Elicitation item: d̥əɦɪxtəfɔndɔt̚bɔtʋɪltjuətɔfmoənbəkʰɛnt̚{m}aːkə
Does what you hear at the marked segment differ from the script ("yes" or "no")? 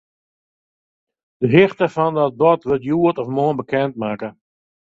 no